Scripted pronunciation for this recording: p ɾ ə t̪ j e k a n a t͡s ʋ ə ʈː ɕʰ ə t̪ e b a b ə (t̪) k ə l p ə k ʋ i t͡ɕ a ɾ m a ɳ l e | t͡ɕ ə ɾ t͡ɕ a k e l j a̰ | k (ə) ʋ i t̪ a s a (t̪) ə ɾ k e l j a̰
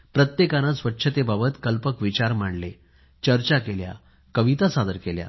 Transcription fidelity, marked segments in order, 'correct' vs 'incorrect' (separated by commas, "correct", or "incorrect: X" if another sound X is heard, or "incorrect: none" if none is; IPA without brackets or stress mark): correct, correct, incorrect: d̪